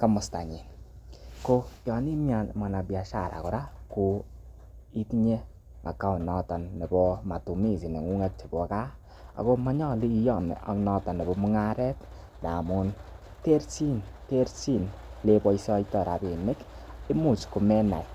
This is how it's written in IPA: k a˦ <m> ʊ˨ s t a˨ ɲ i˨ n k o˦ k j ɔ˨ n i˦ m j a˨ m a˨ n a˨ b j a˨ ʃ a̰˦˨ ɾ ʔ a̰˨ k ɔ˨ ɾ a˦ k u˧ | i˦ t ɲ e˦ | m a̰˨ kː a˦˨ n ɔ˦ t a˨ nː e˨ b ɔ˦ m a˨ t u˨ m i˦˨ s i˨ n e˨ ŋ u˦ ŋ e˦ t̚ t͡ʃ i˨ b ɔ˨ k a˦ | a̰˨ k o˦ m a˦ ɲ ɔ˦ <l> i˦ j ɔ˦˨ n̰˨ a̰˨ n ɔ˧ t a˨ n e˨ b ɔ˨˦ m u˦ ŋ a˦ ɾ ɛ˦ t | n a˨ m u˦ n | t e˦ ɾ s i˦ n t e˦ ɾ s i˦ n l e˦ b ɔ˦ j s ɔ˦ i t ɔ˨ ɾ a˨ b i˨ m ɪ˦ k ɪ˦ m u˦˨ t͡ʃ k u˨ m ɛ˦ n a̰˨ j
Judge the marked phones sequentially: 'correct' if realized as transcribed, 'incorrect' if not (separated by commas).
correct, correct